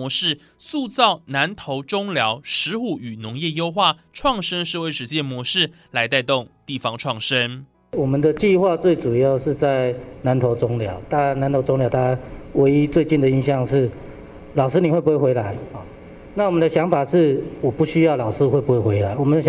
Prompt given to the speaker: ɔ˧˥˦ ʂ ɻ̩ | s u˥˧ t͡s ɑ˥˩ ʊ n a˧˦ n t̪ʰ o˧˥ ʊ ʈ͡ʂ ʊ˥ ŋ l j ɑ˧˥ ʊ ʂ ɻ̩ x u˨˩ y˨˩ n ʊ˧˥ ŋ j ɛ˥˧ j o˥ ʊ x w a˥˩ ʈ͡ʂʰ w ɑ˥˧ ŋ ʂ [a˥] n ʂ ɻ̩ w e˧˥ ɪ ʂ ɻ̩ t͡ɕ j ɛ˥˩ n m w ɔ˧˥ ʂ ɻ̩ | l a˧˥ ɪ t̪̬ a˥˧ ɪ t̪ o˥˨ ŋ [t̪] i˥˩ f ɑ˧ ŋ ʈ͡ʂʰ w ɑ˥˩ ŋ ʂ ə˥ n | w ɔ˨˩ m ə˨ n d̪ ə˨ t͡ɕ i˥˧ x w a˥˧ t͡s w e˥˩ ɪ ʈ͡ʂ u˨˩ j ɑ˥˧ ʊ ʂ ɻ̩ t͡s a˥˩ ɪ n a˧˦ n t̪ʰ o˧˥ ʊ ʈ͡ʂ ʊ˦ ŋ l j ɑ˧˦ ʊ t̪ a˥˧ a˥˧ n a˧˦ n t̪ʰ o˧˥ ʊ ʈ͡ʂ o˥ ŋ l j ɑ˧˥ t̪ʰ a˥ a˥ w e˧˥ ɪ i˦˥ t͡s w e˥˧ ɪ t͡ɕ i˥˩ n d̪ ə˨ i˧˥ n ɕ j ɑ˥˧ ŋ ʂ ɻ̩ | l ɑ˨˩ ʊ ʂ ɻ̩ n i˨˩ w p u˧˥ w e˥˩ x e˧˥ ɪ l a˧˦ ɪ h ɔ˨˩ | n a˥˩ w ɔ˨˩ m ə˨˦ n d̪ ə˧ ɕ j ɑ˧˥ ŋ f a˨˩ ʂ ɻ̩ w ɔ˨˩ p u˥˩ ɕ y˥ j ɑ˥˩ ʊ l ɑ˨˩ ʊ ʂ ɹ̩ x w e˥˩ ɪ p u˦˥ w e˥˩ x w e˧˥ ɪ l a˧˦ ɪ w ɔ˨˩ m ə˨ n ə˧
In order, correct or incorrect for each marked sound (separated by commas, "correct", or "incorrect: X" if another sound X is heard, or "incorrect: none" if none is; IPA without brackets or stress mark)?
incorrect: ə˥, correct